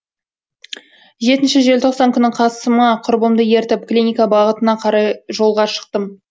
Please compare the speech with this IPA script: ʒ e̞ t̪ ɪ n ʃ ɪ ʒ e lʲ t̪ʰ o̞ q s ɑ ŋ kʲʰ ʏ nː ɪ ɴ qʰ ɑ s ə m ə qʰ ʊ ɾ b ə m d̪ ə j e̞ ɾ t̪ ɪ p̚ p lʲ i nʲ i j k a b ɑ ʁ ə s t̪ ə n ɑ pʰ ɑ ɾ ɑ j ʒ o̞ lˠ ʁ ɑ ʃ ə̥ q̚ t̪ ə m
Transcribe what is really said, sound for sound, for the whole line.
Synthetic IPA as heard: ʒ e̞ t̪ ɪ n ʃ ɪ ʒ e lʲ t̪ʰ o̞ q s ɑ ŋ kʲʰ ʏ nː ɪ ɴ qʰ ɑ s ə m ə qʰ ʊ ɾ b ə m d̪ ə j e̞ ɾ t̪ ɪ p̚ k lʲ i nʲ i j k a b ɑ ʁ ə t̪ ə n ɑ qʰ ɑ ɾ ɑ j ʒ o̞ lˠ ʁ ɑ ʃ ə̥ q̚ t̪ ə m